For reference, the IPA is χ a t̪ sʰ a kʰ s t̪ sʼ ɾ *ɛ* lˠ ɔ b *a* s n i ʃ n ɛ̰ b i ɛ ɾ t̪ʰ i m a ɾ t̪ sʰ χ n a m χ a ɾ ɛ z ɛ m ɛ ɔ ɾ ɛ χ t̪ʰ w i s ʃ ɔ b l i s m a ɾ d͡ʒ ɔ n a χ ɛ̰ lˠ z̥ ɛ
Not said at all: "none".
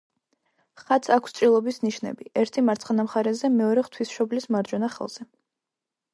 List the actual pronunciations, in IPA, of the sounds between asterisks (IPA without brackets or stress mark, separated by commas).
i, i